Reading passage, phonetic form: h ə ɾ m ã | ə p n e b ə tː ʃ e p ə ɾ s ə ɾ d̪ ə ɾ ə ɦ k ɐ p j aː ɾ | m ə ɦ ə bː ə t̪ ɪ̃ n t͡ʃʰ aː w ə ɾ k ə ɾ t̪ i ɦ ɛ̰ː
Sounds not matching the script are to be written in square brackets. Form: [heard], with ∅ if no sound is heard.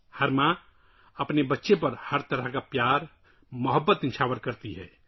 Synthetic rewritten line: h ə ɾ m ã | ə p n e b ə tː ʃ e p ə ɾ [h] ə ɾ [t̪] ə ɾ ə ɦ k [a] p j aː ɾ | m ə ɦ ə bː ə t̪ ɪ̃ n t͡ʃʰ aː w ə ɾ k ə ɾ t̪ i ɦ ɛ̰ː